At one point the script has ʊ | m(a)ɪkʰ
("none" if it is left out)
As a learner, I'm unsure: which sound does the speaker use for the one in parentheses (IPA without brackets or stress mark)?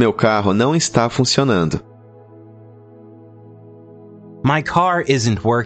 a